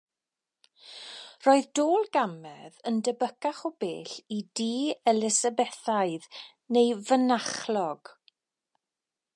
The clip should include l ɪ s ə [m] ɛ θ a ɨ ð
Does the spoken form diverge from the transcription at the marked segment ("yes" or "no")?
yes